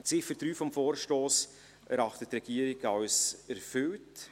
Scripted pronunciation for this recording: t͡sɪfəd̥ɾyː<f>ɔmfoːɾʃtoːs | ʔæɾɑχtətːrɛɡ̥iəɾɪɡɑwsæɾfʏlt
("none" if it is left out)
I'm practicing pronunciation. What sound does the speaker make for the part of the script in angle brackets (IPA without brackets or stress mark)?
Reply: f